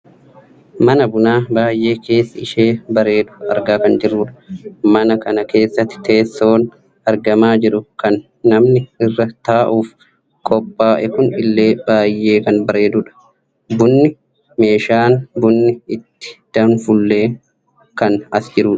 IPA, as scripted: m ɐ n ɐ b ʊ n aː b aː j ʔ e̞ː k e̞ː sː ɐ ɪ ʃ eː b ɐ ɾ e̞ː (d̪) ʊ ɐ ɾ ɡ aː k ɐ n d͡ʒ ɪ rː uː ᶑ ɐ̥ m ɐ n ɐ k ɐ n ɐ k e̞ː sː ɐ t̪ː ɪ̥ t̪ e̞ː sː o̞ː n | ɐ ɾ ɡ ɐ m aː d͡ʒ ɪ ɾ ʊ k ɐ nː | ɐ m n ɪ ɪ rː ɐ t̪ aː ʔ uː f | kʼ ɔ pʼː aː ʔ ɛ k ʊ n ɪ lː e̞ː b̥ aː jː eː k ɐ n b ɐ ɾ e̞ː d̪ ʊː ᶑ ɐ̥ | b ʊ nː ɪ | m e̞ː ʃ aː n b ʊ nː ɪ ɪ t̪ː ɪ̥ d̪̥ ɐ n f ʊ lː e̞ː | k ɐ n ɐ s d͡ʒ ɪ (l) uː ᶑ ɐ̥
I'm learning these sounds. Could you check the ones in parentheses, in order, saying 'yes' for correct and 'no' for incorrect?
yes, no

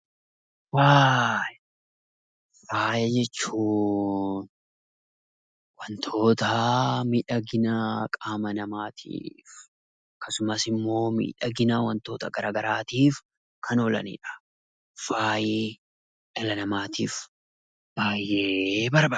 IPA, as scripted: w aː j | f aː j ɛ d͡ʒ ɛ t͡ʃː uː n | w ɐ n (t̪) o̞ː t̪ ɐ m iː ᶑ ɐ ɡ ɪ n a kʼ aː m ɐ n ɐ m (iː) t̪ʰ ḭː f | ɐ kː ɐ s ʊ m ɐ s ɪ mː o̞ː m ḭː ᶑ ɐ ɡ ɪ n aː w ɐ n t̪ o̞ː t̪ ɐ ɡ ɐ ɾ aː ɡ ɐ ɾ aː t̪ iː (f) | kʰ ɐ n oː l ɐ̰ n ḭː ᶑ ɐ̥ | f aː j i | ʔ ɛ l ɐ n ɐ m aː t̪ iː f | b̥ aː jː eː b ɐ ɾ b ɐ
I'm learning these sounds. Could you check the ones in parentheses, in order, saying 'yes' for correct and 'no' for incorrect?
no, no, yes

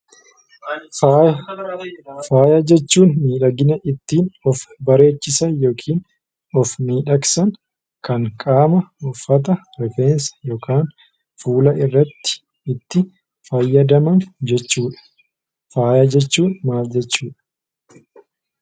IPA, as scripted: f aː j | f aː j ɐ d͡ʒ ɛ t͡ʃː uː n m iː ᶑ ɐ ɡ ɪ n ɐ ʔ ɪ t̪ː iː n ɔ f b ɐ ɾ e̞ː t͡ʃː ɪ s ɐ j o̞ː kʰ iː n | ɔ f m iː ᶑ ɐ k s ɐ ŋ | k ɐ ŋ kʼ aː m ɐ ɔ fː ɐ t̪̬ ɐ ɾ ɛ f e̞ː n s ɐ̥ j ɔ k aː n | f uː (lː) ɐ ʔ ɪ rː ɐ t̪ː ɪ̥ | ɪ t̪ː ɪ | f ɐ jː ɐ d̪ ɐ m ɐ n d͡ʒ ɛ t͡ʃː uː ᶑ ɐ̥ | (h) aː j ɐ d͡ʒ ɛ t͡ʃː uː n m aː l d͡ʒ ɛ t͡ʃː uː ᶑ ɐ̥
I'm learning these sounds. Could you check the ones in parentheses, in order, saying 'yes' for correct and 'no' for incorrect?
no, no

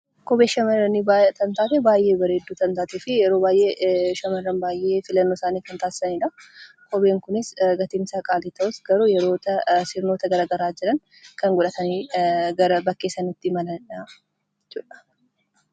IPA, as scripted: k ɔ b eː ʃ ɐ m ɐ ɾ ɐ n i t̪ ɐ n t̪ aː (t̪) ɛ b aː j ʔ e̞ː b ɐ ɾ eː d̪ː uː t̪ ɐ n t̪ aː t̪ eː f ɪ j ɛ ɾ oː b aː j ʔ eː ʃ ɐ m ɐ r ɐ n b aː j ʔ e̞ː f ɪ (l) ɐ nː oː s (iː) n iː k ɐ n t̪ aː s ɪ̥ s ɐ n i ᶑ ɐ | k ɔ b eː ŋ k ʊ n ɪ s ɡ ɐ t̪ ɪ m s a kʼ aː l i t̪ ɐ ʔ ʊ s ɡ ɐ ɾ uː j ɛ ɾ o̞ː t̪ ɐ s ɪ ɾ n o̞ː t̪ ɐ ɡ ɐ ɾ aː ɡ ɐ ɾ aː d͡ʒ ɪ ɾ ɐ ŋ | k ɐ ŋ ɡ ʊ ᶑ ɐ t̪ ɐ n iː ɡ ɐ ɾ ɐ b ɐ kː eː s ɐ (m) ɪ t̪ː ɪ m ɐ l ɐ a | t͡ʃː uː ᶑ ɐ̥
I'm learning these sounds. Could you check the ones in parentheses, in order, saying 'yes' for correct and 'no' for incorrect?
yes, yes, no, no

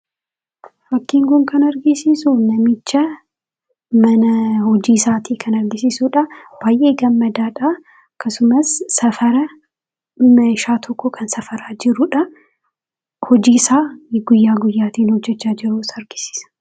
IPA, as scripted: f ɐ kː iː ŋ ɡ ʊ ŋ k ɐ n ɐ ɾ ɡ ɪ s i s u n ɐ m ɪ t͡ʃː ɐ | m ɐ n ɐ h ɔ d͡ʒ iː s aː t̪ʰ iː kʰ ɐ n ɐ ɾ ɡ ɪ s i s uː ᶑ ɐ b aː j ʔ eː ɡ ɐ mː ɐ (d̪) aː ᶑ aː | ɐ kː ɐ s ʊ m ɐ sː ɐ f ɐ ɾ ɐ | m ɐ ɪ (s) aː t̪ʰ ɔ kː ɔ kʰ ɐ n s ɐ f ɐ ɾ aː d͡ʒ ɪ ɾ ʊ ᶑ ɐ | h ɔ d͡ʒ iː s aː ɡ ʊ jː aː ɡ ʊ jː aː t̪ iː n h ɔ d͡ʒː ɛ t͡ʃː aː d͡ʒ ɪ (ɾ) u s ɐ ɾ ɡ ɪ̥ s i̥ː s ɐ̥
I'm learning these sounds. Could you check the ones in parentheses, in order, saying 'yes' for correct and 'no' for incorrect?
yes, no, yes

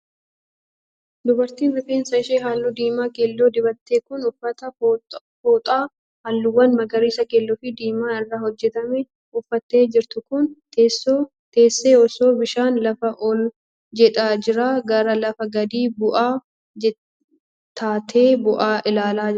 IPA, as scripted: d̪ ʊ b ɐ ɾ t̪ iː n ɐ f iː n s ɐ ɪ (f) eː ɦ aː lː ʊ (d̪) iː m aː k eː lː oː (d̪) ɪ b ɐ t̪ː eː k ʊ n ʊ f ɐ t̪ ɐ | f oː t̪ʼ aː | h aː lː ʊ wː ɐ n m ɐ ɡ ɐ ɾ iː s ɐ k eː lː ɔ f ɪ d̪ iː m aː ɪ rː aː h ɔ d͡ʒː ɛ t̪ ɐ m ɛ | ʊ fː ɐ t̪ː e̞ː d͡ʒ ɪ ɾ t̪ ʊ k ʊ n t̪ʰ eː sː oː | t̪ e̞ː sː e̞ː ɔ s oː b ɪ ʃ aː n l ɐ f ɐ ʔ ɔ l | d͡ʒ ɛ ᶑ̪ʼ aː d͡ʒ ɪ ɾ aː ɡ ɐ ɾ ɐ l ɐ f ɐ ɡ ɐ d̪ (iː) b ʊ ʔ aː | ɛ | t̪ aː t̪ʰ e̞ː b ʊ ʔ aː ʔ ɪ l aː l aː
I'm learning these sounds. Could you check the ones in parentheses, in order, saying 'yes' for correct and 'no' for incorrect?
no, yes, yes, yes

